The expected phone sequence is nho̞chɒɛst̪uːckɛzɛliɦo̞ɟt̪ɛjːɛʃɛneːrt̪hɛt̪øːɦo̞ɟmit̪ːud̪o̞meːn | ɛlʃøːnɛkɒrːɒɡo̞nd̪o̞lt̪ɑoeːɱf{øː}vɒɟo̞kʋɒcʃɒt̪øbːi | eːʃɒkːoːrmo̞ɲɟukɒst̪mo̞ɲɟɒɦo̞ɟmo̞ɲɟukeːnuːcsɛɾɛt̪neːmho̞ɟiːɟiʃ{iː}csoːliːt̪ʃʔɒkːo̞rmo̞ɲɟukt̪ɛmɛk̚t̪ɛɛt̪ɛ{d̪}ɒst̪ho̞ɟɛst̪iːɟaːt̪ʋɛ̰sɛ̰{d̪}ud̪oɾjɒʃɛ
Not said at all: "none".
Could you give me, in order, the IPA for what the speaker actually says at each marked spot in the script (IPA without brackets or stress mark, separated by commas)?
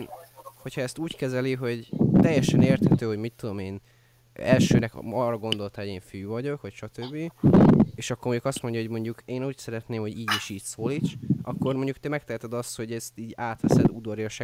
yː, iː, d̪, d̪